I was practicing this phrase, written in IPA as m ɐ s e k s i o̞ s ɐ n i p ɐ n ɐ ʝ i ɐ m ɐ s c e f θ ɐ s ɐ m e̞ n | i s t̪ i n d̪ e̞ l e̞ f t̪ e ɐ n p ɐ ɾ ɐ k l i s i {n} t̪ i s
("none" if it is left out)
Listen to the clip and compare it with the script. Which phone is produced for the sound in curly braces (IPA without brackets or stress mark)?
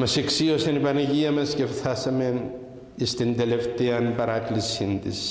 n